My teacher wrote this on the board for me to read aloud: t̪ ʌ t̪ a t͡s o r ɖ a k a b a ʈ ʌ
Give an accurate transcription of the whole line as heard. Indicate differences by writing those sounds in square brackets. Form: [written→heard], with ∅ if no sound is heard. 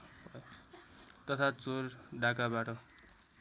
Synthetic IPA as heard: t̪ ʌ [t̪→t̪ʰ] a t͡s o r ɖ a k a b a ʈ ʌ